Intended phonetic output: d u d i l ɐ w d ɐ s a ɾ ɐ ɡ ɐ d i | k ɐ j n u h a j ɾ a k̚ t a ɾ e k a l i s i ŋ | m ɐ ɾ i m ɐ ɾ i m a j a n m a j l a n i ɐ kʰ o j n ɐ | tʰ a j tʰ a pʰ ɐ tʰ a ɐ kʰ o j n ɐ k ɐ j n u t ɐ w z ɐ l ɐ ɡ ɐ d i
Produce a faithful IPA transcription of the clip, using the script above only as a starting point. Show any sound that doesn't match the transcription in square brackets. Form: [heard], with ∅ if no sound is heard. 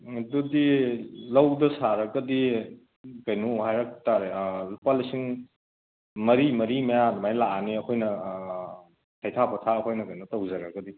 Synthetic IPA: d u d i l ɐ w d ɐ s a ɾ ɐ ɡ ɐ d i | k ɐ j n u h a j ɾ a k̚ t a ɾ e [p] a l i s i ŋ | m ɐ ɾ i m ɐ ɾ i m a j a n m a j l a n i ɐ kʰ o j n ɐ | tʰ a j tʰ a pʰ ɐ tʰ a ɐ kʰ o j n ɐ k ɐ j n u t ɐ w z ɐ [ɾ] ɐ ɡ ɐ d i